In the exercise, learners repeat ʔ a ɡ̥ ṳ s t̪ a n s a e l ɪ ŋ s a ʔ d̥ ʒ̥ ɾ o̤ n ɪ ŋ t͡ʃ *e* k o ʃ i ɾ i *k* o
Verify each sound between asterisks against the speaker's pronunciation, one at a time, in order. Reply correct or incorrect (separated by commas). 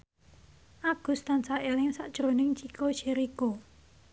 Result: incorrect, correct